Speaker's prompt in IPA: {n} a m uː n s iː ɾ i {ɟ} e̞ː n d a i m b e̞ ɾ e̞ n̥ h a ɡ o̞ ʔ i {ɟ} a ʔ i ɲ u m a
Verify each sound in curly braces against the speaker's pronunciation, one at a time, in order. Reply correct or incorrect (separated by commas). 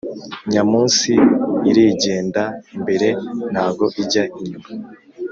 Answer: incorrect, correct, correct